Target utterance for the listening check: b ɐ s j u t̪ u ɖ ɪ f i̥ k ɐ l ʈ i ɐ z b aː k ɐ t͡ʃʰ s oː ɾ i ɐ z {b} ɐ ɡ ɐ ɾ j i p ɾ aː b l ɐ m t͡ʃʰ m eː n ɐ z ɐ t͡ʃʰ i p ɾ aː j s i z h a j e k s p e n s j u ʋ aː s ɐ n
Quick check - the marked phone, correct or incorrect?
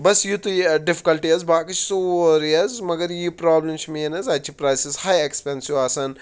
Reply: incorrect